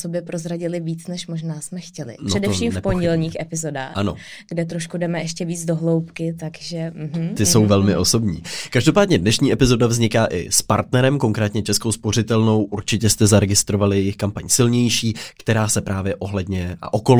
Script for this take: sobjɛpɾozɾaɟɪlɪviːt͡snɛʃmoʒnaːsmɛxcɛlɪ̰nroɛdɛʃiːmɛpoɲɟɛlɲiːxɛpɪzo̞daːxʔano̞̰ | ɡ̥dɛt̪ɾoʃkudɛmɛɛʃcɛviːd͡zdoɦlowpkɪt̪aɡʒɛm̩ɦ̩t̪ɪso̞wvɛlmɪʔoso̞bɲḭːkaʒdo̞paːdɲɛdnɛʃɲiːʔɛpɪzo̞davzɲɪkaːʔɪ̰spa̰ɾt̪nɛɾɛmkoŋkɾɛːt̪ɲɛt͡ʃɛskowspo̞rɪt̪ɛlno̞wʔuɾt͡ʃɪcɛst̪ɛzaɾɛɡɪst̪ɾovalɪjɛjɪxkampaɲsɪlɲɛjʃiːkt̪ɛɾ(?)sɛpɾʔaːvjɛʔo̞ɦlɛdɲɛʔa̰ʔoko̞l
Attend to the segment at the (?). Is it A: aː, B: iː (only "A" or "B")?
A